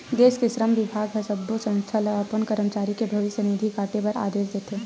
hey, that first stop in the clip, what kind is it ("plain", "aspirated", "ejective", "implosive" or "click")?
plain